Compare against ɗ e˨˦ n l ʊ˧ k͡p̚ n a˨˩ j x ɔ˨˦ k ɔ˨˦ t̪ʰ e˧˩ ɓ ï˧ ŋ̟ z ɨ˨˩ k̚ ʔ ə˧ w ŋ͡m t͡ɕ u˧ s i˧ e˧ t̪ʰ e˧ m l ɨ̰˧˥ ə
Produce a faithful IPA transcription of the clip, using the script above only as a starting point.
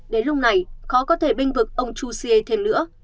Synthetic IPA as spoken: ɗ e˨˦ n l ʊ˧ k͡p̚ n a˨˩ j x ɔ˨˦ k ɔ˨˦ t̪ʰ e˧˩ ɓ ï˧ ŋ̟ v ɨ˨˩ k̚ ʔ ə˧ w ŋ͡m t͡ɕ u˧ s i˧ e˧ t̪ʰ e˧ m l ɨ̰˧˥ ə